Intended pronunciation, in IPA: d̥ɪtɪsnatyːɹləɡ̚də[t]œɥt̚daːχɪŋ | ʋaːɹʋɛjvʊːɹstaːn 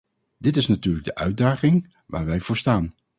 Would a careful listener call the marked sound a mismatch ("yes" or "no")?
yes